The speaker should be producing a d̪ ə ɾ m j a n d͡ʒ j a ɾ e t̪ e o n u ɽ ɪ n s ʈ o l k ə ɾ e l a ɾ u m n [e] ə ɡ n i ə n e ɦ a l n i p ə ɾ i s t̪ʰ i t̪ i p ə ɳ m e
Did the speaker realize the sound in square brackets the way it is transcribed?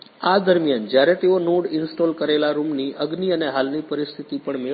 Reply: no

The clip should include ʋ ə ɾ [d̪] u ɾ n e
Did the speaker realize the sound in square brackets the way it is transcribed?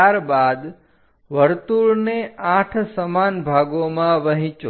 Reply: no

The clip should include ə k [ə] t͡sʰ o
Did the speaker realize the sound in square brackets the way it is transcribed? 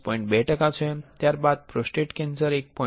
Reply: no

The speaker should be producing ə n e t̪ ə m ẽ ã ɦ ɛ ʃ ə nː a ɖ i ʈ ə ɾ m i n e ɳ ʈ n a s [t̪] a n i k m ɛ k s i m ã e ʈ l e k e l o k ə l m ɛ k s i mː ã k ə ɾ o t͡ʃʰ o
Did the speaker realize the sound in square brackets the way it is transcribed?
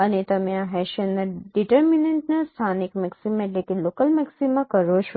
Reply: no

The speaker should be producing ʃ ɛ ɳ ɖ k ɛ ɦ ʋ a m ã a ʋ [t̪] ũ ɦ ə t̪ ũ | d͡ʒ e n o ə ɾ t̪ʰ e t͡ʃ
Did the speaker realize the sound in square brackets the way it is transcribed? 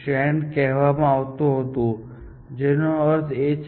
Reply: yes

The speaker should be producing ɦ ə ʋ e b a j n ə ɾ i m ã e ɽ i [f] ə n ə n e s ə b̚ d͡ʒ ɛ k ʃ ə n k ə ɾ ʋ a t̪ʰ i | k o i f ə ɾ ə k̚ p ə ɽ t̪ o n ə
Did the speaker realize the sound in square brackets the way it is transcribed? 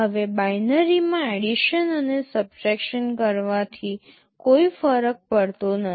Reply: no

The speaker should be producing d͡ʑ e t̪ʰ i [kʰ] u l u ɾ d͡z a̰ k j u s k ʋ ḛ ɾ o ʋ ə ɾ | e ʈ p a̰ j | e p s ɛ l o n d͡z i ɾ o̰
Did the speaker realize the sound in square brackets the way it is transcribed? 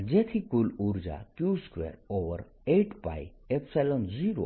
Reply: no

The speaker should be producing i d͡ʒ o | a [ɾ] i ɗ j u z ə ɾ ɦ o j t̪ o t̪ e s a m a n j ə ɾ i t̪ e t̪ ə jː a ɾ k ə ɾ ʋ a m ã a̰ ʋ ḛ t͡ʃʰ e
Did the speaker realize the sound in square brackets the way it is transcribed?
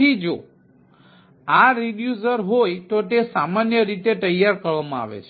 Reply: yes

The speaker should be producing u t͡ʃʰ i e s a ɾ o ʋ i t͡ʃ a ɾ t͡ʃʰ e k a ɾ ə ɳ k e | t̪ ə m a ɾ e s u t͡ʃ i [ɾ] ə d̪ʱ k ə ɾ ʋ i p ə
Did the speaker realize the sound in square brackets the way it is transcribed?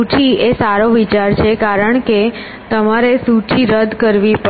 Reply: yes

